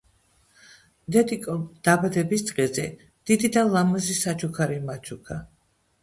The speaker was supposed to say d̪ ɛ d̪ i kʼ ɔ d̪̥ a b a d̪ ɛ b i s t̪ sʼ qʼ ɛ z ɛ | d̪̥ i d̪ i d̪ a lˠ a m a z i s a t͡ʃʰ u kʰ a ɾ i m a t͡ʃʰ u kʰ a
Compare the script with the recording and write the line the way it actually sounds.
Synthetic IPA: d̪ ɛ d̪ i kʼ ɔ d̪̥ a b a d̪ ɛ b i s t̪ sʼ qʼ ɛ z ɛ | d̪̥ i d̪ i d̪ a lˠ a m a z i s a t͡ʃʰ u kʰ a ɾ i m a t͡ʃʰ u kʰ a